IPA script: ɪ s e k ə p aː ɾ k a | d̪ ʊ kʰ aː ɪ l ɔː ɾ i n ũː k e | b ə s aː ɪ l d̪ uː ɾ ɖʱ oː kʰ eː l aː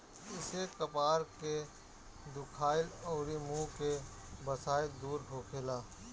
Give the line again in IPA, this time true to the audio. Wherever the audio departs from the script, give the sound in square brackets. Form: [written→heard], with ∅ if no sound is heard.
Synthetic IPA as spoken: ɪ s e k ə p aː ɾ k [a→e] | d̪ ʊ kʰ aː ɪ l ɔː ɾ i [n→m] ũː k e | b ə s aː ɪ l d̪ uː ɾ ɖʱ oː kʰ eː l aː